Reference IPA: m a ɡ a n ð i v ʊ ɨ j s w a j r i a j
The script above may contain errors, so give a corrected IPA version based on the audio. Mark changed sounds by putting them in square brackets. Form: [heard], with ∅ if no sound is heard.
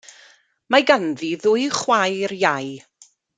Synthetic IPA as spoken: m a ɡ a n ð i [ð] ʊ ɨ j [χ] w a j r [j] a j